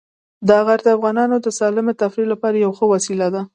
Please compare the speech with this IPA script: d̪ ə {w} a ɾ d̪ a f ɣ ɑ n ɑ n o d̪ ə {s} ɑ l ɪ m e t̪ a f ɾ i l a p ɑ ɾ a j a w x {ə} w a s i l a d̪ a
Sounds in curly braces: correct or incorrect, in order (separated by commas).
incorrect, correct, correct